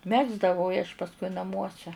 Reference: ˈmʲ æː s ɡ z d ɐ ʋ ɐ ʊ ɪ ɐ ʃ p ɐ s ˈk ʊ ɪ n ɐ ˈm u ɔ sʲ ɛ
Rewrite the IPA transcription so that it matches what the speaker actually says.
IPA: ˈmʲ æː ɡ z d ɐ ʋ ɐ ʊ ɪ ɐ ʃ p ɐ s ˈk ʊ ɪ n ɐ ˈm u ɔ sʲ ɛ

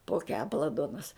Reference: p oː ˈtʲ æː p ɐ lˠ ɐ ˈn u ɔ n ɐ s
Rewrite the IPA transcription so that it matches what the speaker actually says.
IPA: p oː ˈkʲ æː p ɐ lˠ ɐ ˈd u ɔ n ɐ s

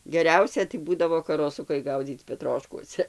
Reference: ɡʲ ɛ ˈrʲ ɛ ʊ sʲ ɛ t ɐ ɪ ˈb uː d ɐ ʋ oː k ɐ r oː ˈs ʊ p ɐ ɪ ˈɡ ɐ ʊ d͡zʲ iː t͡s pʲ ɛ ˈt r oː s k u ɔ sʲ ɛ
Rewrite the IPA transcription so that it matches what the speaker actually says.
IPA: ɡʲ ɛ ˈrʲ ɛ ʊ sʲ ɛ t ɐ ɪ ˈb uː d ɐ ʋ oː k ɐ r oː ˈs ʊ k ɐ ɪ ˈɡ ɐ ʊ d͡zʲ iː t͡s pʲ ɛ ˈt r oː ʃ k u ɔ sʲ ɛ

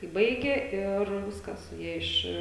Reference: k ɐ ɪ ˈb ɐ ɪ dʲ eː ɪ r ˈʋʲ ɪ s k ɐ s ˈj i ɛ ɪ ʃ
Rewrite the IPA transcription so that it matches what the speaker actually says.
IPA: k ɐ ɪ ˈb ɐ ɪ ɡʲ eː ɪ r ˈʋʲ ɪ s k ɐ s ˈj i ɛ ɪ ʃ

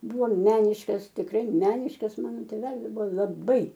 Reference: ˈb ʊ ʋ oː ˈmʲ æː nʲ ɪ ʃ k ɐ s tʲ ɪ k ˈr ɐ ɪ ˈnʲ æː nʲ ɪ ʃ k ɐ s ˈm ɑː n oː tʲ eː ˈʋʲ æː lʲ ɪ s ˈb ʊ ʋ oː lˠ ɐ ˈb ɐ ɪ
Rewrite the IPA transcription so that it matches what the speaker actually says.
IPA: ˈb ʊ ʋ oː ˈmʲ æː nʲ ɪ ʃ k ɐ s tʲ ɪ k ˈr ɐ ɪ ˈmʲ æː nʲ ɪ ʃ k ɐ s ˈm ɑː n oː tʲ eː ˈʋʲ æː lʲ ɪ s ˈb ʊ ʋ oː lˠ ɐ ˈb ɐ ɪ

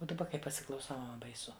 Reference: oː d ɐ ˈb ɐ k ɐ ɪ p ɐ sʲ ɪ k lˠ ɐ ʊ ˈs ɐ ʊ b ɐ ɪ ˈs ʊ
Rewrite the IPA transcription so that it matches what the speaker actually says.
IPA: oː d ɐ ˈb ɐ k ɐ ɪ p ɐ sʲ ɪ k lˠ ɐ ʊ ˈs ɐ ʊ b ɐ ɪ ˈs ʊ

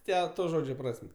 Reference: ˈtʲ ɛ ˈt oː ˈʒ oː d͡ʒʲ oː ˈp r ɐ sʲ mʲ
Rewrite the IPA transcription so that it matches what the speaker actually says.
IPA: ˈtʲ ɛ ˈt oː ˈʒ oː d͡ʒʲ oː ˈp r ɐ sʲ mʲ

